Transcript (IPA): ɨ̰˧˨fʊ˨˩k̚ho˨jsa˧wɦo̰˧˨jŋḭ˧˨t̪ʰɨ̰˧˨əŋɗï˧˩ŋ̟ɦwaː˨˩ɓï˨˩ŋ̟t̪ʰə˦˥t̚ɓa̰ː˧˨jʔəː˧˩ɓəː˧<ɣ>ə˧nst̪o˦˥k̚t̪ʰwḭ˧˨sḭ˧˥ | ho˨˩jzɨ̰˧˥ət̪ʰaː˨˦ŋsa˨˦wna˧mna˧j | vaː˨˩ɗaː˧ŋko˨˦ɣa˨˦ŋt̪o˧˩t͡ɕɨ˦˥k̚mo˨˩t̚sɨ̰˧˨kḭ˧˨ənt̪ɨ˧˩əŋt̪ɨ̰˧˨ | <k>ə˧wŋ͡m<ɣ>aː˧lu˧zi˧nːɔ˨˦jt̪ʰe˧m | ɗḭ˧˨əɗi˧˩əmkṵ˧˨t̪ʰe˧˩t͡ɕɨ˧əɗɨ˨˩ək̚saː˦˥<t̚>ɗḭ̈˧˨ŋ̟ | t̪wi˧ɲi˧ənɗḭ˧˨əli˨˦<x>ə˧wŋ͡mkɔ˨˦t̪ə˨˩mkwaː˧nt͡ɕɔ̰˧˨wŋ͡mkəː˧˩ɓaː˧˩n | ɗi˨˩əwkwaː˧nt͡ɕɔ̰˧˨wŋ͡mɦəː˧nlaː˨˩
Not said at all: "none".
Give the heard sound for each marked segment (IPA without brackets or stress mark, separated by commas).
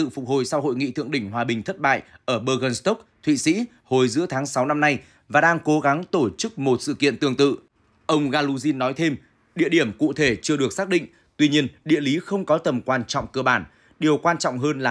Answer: ɣ, ʔ, ɣ, k̚, x